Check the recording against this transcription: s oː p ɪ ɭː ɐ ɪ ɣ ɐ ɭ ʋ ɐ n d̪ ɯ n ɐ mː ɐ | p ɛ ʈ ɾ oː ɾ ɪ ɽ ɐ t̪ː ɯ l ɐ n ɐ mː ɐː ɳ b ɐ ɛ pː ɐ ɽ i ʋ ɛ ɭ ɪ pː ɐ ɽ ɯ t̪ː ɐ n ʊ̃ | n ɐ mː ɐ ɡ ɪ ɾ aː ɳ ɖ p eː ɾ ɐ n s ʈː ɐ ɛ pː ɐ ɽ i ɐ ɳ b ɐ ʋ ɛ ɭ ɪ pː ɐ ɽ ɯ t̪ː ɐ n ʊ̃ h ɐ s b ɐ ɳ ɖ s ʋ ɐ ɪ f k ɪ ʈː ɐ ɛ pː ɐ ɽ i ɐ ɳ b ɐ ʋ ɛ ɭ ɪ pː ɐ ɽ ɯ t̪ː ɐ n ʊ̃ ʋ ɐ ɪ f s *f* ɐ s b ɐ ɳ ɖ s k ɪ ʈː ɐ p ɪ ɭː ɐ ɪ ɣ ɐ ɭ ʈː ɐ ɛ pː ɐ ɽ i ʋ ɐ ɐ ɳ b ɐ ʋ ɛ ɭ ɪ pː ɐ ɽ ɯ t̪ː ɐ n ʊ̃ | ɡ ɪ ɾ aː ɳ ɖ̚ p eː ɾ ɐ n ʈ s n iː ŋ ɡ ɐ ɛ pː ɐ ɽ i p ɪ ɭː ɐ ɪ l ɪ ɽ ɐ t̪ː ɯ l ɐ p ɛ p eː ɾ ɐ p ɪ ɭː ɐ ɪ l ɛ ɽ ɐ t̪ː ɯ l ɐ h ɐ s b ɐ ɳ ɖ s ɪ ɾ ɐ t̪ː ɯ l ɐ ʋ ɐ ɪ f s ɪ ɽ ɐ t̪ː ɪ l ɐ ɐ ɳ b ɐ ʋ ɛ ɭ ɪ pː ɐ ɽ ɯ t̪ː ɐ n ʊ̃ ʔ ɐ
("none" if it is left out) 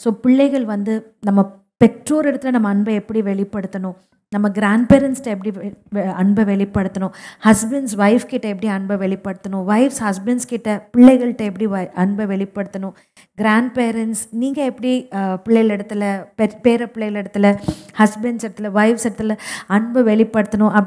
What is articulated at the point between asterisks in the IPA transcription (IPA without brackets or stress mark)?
h